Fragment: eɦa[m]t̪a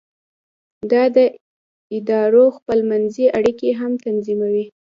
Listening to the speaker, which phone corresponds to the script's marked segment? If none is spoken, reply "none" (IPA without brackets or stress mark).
m